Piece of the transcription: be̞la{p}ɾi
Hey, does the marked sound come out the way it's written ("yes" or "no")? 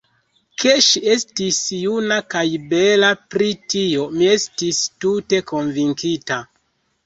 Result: yes